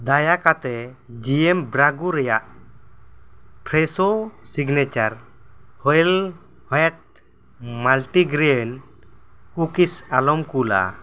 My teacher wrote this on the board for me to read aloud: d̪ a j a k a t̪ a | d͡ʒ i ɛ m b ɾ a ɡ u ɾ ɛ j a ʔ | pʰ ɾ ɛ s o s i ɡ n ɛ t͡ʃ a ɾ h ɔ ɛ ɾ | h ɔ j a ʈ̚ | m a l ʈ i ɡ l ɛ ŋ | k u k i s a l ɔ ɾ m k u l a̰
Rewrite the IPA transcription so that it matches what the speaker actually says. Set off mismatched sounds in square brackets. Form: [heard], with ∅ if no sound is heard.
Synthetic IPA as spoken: d̪ a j a k a t̪ [ɛ] | d͡ʒ i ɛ m b ɾ a ɡ u ɾ ɛ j a ʔ | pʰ ɾ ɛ s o s i ɡ n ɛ t͡ʃ a ɾ h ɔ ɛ [l] | h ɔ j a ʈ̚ | m a l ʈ i ɡ [ɾ] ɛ [n] | k u k i s a l ɔ [∅] m k u l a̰